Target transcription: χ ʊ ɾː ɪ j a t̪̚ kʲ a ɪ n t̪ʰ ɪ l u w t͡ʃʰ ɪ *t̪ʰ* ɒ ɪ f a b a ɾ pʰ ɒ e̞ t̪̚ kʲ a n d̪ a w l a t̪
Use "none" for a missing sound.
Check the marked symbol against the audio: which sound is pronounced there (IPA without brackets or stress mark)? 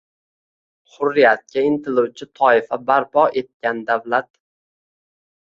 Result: t̪ʰ